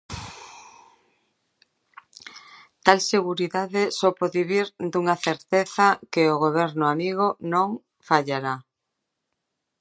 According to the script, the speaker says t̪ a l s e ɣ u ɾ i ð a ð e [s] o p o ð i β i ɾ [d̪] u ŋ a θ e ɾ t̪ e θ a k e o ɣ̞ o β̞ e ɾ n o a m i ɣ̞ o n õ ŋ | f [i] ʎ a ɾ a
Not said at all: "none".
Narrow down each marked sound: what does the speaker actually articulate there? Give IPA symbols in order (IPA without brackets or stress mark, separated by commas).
s, d̪, a